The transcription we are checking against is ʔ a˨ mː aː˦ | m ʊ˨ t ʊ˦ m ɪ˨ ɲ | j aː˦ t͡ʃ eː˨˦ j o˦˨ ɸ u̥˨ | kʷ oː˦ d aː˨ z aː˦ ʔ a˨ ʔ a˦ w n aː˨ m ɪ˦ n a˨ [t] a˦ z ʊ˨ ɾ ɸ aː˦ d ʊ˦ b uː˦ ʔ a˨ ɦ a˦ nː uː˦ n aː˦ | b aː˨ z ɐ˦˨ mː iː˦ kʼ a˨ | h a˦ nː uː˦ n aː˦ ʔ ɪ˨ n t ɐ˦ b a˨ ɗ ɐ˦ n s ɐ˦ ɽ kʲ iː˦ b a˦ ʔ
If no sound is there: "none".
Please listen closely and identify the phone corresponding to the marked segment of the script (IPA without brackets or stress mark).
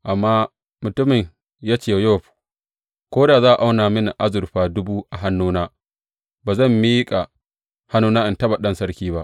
ʔ